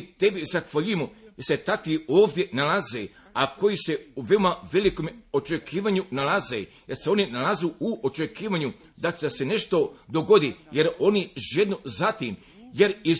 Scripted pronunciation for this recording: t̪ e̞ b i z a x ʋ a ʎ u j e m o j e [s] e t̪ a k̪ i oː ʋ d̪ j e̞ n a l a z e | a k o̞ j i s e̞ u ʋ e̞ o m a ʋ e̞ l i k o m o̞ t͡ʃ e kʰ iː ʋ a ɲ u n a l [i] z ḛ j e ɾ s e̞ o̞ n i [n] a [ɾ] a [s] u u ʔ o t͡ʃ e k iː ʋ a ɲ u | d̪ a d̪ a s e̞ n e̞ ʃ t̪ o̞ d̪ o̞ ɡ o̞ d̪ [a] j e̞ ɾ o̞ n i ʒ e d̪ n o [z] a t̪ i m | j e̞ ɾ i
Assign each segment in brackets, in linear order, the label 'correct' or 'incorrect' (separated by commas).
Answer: correct, incorrect, correct, incorrect, incorrect, incorrect, correct